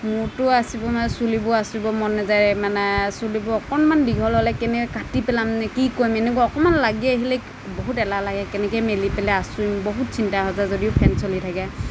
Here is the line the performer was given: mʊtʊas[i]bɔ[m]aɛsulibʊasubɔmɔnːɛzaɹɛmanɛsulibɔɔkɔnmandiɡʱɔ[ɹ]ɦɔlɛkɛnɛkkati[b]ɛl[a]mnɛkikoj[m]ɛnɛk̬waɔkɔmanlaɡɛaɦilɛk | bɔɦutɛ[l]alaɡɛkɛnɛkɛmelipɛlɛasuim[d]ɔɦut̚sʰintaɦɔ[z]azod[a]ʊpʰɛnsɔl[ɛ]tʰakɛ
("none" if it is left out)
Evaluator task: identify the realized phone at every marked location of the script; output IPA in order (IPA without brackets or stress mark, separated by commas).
i, m, l, p, a, m, l, b, z, i, i